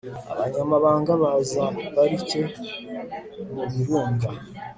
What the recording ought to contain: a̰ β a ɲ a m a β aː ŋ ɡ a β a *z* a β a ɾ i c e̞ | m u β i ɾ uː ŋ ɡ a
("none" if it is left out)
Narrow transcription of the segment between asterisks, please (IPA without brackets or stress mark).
z